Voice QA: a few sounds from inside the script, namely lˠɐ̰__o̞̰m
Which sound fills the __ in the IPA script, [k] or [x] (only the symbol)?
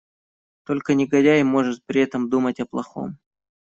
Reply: x